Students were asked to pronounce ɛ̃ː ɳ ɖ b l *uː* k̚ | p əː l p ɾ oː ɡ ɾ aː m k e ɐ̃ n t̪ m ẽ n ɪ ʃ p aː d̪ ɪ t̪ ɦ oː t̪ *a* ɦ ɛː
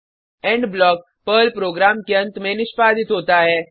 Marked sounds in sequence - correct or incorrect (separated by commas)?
incorrect, correct